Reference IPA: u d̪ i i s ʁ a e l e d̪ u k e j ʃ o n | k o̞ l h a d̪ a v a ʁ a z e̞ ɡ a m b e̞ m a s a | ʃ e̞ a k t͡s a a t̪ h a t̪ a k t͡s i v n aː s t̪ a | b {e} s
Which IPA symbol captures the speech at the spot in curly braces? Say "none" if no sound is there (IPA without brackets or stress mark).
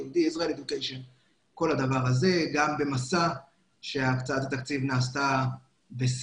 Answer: e